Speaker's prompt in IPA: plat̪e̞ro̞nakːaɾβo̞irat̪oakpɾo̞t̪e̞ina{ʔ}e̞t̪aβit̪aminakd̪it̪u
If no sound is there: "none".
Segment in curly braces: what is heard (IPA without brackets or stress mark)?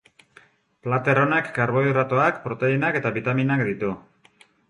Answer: k